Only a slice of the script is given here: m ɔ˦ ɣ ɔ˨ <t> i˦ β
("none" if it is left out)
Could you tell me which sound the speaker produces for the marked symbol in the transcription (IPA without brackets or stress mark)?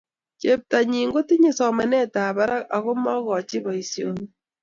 t͡ʃ